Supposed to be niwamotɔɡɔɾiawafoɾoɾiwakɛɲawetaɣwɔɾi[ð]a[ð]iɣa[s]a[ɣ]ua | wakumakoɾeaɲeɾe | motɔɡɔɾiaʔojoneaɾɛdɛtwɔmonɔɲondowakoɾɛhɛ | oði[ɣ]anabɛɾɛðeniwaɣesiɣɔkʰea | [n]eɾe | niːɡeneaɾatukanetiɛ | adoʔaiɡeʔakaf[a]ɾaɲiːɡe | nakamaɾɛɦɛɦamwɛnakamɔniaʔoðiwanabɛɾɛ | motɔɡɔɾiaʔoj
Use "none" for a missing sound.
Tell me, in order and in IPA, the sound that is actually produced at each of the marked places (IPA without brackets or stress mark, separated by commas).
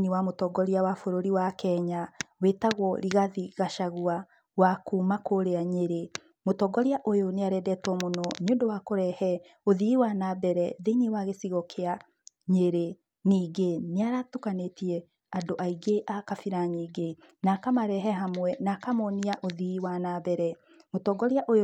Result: ɣ, ð, ʃ, ɣ, w, ɲ, i